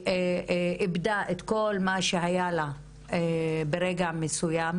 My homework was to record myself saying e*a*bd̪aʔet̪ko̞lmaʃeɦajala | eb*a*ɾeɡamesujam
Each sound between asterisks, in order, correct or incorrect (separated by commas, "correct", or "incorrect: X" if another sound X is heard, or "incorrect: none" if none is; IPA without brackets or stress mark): incorrect: i, incorrect: e